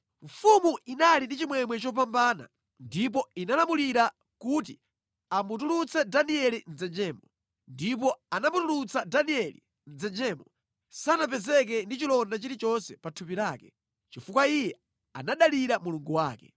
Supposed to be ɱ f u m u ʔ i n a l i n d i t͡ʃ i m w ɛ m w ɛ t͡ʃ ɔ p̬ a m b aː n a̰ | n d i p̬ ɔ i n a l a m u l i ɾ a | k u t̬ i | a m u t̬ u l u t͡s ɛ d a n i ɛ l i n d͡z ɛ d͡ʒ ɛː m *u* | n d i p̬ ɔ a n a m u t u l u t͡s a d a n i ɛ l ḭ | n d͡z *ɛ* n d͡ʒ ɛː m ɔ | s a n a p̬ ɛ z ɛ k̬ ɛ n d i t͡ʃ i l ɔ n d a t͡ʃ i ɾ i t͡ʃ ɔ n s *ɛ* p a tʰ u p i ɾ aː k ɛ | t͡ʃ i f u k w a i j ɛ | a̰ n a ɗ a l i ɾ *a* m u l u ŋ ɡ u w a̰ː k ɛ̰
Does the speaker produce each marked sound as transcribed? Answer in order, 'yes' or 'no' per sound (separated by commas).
no, yes, yes, yes